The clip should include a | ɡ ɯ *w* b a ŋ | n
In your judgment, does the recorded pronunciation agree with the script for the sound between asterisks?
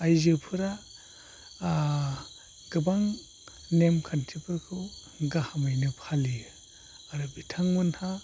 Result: no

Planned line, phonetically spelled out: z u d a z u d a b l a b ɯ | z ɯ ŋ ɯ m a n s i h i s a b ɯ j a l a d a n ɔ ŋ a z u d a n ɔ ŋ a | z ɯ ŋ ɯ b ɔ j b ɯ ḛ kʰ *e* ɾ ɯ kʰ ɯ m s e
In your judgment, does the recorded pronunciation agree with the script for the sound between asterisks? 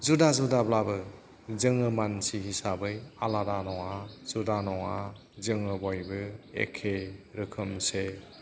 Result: yes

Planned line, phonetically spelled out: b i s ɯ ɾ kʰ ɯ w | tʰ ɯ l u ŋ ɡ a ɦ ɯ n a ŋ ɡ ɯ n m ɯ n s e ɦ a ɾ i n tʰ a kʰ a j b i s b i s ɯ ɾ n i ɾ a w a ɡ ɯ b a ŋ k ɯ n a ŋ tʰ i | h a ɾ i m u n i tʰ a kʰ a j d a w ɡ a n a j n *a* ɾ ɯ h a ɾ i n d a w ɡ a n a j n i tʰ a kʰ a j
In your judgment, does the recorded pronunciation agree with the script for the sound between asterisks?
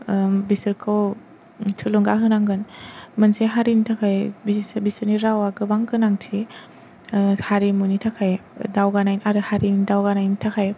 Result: yes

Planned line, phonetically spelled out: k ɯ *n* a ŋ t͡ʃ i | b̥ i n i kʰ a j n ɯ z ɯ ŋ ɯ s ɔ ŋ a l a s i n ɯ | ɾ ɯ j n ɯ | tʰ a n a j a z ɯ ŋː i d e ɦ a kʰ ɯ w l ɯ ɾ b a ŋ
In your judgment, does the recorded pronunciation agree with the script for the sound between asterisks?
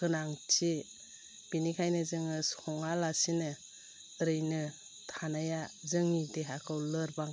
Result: yes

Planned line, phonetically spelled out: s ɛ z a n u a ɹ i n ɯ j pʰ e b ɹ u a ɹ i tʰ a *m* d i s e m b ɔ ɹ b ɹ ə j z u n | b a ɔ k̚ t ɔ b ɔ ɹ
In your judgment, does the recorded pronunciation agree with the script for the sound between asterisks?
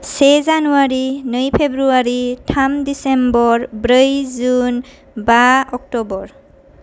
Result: yes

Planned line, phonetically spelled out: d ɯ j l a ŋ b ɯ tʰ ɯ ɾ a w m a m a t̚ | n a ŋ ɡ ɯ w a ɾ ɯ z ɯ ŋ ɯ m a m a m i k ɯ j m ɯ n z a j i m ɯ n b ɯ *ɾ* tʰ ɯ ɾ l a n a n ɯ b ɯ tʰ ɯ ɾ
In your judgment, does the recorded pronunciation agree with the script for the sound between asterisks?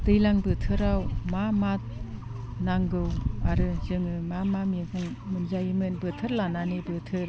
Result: no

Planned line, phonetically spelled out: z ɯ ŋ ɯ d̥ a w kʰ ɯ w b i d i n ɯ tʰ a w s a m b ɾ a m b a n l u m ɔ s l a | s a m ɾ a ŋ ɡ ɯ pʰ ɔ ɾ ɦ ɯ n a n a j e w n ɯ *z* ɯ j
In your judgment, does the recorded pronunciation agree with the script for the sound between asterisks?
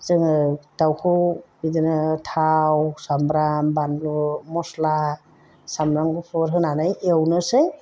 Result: no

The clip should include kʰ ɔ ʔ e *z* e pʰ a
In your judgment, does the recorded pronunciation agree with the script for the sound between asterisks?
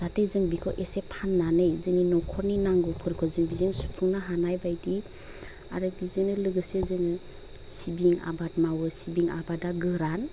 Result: no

